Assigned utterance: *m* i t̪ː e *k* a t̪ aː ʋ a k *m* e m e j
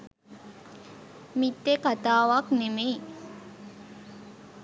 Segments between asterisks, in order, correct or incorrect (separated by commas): correct, correct, incorrect